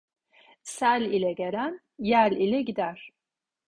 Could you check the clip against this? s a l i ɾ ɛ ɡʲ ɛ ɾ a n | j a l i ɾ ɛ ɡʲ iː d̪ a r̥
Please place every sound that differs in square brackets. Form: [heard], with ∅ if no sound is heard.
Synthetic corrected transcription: s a l i [l] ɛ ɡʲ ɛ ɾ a n | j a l i [l] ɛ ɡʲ [i] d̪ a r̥

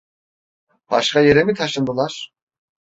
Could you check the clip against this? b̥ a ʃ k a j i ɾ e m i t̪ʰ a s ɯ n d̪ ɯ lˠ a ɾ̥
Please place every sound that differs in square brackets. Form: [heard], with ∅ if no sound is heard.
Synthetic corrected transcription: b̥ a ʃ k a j [e] ɾ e m i t̪ʰ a [ʃ] ɯ n d̪ ɯ lˠ a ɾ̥

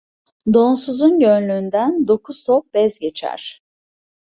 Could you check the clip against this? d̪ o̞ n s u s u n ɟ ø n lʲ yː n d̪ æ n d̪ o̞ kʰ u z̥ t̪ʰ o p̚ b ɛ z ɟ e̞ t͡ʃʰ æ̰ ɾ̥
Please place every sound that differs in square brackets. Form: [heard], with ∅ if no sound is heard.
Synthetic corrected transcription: d̪ o̞ n s u [z] u n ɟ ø n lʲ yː n d̪ æ n d̪ o̞ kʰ u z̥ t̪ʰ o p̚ b ɛ z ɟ e̞ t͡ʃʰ æ̰ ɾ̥

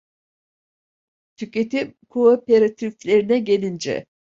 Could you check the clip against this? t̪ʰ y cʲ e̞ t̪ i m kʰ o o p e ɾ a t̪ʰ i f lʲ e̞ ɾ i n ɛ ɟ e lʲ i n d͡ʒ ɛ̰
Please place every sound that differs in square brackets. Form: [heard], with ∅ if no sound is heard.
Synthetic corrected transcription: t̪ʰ y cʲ e̞ t̪ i m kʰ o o p e ɾ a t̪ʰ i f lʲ e̞ ɾ i n ɛ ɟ e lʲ i n d͡ʒ ɛ̰

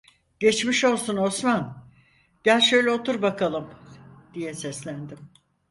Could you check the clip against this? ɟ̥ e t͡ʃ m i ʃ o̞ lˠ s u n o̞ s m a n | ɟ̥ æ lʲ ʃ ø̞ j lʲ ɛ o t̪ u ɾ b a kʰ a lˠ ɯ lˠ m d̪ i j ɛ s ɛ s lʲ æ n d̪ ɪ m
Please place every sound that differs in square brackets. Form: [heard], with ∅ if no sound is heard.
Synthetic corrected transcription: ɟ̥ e t͡ʃ m i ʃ o̞ lˠ s u n o̞ s m a n | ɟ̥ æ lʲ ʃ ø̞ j lʲ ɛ o t̪ u ɾ b a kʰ a lˠ ɯ [∅] m d̪ i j ɛ s ɛ s lʲ æ n d̪ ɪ m

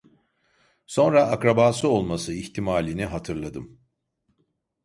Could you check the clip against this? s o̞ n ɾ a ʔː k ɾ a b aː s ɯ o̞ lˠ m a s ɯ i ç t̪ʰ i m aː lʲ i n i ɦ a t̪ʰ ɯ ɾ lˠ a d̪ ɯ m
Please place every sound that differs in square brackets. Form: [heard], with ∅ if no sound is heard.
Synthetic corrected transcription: s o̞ n ɾ a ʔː k ɾ a b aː s ɯ o̞ lˠ m a s ɯ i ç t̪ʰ i m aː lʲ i n i ɦ a t̪ʰ ɯ ɾ lˠ a d̪ ɯ m

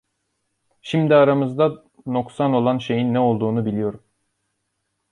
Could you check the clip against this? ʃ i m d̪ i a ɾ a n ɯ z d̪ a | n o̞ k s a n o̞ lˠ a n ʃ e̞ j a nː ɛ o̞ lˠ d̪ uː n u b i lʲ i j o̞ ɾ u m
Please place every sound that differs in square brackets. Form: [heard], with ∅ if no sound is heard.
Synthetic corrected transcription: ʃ i m d̪ i a ɾ a [m] ɯ z d̪ a | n o̞ k s a n o̞ lˠ a n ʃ e̞ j [i] nː ɛ o̞ lˠ d̪ uː n u b i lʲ i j o̞ ɾ u m

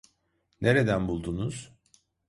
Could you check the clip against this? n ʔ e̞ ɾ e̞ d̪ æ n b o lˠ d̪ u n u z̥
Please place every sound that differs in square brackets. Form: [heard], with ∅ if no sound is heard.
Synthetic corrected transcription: n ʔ e̞ ɾ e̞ d̪ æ n b [u] lˠ d̪ u n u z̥

